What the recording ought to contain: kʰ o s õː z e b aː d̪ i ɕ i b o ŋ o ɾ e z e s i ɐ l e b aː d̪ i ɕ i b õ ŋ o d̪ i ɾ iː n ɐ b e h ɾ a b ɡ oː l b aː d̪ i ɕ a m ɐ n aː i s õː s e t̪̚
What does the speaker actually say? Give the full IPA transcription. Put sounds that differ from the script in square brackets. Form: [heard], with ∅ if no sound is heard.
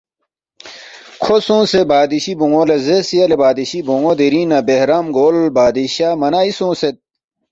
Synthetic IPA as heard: kʰ o s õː [s] e b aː d̪ i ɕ i b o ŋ o [l] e z e s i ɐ l e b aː d̪ i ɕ i b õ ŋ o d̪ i ɾ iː n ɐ b e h ɾ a [m] ɡ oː l b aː d̪ i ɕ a m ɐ n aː i s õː s e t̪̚

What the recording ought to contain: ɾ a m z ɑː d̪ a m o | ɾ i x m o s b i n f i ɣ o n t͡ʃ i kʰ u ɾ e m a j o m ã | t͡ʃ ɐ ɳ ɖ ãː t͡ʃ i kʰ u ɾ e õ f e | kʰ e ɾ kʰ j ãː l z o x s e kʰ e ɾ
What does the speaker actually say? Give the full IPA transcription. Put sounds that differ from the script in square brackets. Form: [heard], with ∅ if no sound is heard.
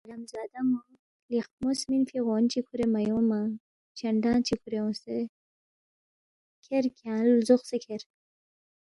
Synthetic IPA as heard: ɾ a m z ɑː d̪ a m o | [l] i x m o s [m] i n f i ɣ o n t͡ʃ i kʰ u ɾ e m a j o m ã | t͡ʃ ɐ ɳ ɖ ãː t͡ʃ i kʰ u ɾ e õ [s] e | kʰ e ɾ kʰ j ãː l z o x s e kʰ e ɾ

